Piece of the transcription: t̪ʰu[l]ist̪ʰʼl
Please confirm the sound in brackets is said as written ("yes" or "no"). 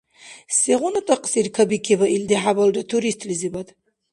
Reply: no